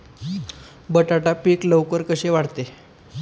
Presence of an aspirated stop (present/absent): absent